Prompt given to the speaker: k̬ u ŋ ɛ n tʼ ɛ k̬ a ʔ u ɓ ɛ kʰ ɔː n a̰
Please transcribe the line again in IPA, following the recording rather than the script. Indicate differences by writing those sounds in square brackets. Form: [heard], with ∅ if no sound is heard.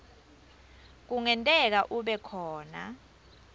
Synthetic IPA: k̬ u ŋ ɛ n tʼ ɛ k̬ a ʔ u ɓ ɛ kʰ ɔː n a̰